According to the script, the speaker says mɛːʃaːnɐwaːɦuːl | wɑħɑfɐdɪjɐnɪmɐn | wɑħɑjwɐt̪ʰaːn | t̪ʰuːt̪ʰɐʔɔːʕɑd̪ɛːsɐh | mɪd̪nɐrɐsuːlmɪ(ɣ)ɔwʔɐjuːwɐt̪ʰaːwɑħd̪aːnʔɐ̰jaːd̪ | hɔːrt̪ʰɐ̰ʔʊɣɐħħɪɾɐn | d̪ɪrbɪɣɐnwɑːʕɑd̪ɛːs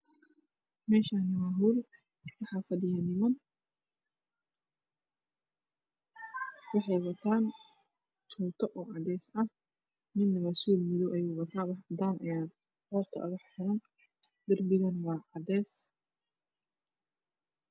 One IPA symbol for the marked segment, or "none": ð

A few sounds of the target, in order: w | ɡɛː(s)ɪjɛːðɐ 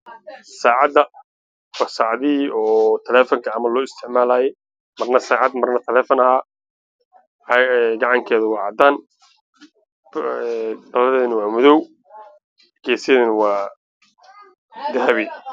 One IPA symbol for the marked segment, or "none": s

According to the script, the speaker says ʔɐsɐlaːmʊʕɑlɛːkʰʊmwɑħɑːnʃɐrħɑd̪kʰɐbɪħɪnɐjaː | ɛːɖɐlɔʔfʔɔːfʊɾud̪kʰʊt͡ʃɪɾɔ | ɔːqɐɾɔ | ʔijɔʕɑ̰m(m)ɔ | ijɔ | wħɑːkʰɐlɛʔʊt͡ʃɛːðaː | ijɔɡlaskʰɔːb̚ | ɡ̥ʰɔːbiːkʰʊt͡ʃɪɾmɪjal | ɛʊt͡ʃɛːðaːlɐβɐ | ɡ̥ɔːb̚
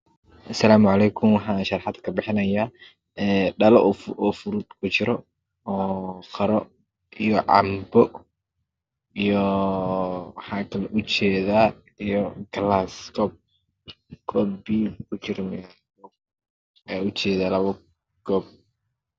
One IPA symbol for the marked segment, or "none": b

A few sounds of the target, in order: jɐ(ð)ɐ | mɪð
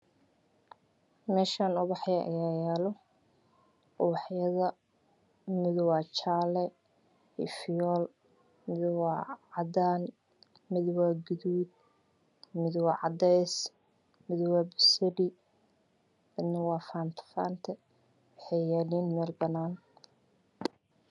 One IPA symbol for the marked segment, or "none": ð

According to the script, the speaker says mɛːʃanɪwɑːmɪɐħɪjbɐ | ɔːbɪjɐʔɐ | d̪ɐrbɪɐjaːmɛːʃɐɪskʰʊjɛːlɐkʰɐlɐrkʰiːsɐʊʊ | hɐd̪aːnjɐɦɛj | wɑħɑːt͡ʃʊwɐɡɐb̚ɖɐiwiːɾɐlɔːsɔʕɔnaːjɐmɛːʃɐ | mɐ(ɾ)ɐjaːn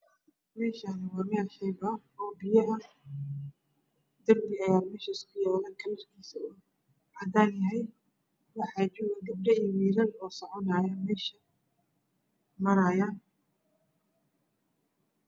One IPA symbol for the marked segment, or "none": ɾ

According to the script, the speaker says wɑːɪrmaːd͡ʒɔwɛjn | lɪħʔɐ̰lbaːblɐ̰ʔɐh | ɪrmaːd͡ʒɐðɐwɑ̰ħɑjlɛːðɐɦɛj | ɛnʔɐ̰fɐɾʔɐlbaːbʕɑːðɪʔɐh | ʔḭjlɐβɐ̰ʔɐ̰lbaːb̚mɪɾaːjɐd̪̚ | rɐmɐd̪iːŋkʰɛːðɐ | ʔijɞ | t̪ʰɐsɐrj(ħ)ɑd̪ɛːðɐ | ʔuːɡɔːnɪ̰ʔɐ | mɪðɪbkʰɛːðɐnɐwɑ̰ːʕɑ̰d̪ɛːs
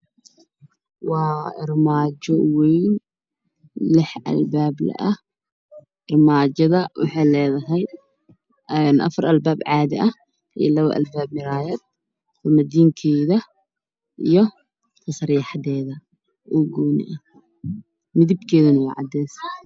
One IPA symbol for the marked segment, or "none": ħ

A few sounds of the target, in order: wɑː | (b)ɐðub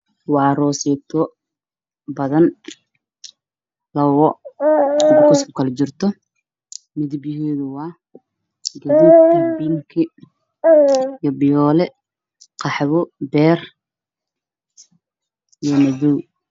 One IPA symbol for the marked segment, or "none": ɡ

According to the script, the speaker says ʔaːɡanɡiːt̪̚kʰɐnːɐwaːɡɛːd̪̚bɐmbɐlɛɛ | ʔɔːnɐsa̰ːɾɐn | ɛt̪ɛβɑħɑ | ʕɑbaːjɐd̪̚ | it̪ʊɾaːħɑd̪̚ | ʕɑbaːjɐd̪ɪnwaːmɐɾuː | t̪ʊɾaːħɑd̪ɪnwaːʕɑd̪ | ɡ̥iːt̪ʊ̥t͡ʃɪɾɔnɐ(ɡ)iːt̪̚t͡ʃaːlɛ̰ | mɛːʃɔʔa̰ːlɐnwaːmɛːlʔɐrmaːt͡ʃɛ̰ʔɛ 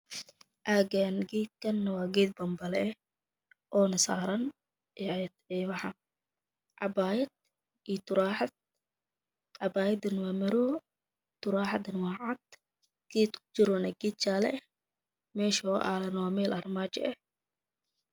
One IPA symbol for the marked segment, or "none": ɡ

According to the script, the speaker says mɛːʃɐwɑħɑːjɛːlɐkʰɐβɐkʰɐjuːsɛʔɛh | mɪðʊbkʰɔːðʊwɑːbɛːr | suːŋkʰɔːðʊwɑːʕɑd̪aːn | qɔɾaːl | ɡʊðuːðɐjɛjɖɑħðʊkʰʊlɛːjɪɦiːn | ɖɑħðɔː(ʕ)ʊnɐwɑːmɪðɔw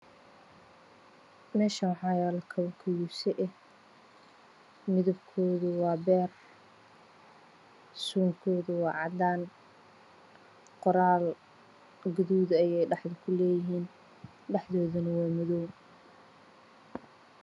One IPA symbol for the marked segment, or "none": ð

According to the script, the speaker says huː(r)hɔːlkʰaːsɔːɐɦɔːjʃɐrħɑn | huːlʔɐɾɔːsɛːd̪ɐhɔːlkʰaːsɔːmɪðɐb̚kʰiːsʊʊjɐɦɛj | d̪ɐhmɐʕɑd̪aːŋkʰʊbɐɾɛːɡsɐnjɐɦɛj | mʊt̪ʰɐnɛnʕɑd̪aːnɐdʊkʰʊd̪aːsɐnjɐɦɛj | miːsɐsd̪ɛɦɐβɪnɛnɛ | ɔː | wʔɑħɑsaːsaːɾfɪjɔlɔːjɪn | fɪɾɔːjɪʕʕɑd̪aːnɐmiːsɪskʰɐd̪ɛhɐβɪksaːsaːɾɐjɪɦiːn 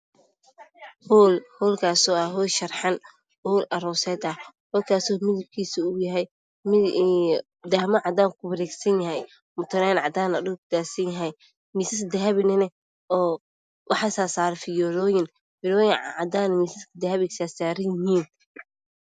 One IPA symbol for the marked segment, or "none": l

